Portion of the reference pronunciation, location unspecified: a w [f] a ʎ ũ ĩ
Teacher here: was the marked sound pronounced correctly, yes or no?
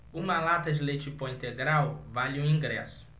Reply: no